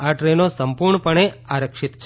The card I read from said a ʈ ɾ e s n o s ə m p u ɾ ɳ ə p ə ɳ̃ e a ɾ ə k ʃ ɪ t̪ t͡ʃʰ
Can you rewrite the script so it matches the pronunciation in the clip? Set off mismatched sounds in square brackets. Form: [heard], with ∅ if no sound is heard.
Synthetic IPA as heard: a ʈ ɾ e [∅] n o s ə m p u ɾ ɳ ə p ə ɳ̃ e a ɾ ə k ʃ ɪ t̪ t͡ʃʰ